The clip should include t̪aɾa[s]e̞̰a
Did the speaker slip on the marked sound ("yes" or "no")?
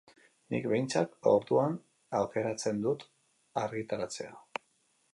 yes